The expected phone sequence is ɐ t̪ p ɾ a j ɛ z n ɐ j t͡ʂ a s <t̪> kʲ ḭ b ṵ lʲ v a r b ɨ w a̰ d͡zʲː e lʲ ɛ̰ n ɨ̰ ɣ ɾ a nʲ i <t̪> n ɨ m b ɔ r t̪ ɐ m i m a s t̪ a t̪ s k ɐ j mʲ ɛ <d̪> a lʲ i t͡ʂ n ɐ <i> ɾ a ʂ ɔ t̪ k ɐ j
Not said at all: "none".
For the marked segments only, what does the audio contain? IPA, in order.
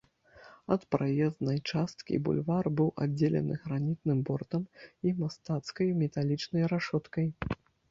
t̪, t̪, t̪, j

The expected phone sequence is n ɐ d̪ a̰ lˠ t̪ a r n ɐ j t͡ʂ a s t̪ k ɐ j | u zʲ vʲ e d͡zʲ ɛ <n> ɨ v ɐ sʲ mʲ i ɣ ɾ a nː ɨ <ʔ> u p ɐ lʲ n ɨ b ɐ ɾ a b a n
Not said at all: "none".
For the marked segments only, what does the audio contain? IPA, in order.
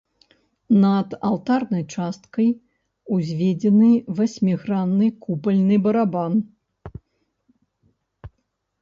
n, k

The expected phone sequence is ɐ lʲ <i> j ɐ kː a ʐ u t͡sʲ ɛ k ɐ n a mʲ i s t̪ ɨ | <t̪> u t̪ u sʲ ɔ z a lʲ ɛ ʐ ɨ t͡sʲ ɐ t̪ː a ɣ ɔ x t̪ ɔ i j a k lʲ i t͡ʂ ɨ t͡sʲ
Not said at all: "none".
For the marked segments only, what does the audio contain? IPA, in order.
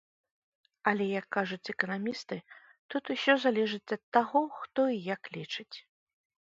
ɛ, t̪

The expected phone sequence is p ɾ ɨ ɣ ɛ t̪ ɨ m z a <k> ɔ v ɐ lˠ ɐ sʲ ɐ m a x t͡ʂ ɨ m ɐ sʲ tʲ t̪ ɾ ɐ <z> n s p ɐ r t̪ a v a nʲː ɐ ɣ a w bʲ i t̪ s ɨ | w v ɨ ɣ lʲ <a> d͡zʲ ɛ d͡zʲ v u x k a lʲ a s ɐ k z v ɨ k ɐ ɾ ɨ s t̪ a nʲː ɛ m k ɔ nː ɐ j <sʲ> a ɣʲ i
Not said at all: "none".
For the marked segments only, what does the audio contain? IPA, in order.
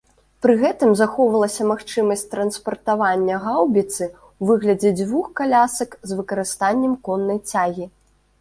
x, none, ɐ, t͡sʲ

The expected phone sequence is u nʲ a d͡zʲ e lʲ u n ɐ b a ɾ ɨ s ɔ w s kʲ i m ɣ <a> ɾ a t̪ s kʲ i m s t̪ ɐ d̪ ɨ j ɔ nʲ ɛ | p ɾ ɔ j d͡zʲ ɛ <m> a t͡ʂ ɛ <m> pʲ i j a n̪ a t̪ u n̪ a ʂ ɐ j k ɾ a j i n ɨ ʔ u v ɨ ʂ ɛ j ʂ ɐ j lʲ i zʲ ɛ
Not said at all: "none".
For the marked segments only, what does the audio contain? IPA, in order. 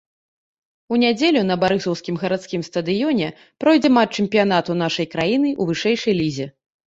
ɐ, m, m

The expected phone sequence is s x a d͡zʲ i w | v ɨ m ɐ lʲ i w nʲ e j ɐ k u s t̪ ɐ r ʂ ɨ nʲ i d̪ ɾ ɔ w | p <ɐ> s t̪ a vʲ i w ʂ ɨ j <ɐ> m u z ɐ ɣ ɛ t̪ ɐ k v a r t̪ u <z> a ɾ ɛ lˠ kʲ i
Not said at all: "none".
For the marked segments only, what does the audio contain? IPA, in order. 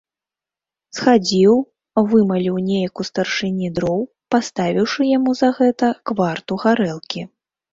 a, a, ɣ

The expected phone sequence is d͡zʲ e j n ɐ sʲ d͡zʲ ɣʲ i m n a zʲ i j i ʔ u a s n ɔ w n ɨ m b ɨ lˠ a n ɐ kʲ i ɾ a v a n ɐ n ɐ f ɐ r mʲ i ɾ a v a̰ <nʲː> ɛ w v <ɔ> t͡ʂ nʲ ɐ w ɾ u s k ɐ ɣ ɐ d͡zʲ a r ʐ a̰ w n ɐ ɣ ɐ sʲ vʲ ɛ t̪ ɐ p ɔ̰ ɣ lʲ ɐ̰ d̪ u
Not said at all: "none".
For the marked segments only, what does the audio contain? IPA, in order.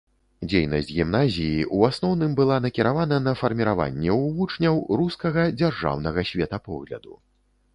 nʲː, u

